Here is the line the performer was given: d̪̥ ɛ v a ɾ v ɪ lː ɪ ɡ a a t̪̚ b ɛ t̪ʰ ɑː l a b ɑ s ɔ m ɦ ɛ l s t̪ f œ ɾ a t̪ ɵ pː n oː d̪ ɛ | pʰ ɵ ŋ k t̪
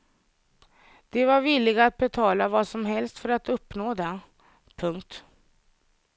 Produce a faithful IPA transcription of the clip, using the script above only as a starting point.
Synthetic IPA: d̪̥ ɛ v a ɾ v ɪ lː ɪ ɡ a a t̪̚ b ɛ t̪ʰ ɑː l a v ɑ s ɔ m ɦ ɛ l s t̪ f œ ɾ a t̪ ɵ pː n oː d̪ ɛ | pʰ ɵ ŋ k t̪